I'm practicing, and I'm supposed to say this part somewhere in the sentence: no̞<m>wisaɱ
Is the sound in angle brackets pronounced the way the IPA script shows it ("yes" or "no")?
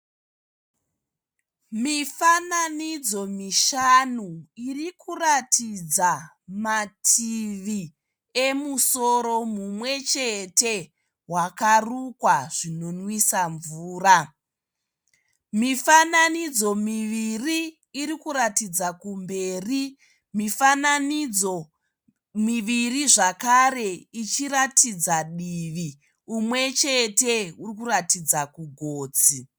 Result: no